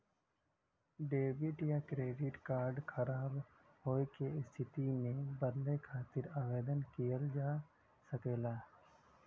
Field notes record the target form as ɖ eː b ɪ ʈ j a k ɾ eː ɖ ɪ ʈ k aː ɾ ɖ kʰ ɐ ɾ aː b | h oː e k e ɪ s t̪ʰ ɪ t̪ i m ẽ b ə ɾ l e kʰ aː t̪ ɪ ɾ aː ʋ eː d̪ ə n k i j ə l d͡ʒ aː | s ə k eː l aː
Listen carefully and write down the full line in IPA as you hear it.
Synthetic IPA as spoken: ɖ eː b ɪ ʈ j a k ɾ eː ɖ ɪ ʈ k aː ɾ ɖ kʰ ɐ ɾ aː b | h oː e k e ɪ s t̪ʰ ɪ t̪ i m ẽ b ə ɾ l e kʰ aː t̪ ɪ ɾ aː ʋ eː d̪ ə n k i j ə l d͡ʒ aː | s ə k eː l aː